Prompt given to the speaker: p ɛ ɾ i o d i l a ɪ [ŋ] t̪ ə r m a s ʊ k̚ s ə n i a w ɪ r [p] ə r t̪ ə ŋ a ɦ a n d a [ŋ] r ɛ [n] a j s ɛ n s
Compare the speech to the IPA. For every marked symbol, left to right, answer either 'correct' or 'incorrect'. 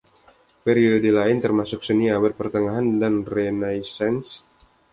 incorrect: n, correct, incorrect: n, correct

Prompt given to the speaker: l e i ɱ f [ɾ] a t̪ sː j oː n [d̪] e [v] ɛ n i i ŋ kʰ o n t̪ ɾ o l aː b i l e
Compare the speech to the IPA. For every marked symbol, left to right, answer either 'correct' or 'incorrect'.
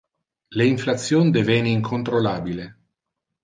incorrect: l, correct, correct

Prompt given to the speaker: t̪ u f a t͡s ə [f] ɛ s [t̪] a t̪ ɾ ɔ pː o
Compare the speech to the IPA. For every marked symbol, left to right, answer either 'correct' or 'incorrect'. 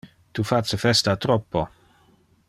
correct, correct

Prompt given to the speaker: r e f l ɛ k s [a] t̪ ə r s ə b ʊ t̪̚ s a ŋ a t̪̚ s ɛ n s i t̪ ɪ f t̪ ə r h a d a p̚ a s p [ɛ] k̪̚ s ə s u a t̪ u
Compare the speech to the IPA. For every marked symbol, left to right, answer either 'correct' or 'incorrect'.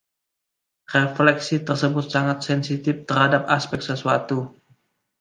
incorrect: i, correct

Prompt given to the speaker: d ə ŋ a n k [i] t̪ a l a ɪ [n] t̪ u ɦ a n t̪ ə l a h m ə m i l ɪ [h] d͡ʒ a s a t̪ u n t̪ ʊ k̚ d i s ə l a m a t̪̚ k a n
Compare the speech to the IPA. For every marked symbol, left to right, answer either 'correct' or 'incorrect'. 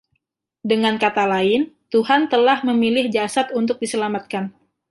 incorrect: a, correct, correct

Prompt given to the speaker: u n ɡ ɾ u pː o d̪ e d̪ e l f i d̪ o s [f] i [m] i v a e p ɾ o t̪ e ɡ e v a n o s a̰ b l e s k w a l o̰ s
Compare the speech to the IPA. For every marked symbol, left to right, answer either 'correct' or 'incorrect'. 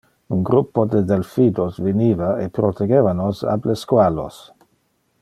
incorrect: v, incorrect: n

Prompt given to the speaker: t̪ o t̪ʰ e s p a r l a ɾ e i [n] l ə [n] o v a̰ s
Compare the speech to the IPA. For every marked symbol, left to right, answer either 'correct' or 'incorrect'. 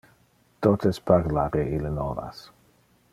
incorrect: none, correct

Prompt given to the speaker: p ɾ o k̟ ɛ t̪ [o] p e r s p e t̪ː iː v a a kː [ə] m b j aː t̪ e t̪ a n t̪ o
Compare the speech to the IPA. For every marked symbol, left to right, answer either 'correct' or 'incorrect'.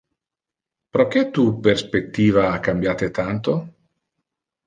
incorrect: u, incorrect: a

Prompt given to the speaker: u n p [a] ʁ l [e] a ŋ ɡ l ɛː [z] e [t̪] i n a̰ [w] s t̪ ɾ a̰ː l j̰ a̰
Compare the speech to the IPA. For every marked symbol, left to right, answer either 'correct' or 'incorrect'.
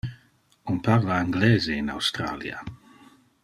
correct, incorrect: a, correct, incorrect: none, correct

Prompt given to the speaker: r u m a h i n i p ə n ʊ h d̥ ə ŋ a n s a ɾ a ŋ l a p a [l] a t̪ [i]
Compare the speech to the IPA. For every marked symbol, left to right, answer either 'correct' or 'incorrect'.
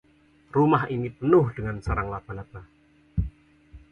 correct, incorrect: a

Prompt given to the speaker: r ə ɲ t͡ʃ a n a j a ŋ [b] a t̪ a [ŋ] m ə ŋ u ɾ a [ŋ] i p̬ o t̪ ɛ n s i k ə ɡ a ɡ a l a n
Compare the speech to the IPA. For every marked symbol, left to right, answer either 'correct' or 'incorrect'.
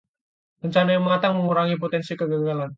incorrect: m, correct, correct

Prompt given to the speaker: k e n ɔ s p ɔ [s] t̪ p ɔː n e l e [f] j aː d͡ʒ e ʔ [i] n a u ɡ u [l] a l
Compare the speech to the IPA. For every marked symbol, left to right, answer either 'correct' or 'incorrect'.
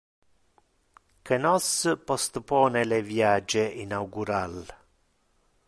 correct, incorrect: v, correct, incorrect: ɾ

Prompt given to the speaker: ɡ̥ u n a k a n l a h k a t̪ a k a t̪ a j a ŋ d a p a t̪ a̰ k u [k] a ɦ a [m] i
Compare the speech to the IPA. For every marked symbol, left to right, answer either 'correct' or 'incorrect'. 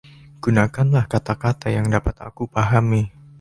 incorrect: p, correct

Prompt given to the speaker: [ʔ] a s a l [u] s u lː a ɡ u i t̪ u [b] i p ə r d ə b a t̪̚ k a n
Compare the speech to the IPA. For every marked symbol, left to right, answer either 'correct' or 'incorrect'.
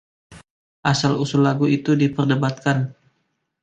correct, correct, incorrect: d

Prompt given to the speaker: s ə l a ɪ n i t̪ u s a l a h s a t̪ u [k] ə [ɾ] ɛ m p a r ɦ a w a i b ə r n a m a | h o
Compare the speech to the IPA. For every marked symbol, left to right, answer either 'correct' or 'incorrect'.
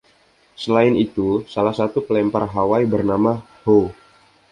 incorrect: p, incorrect: l

